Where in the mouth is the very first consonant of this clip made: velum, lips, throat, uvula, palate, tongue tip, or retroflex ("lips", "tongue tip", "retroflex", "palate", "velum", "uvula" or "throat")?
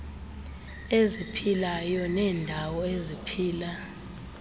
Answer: tongue tip